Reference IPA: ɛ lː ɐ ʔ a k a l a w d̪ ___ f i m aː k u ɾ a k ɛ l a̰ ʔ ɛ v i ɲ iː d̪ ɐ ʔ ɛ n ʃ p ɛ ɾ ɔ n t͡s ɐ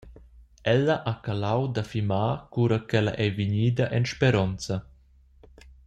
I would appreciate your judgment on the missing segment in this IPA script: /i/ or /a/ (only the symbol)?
a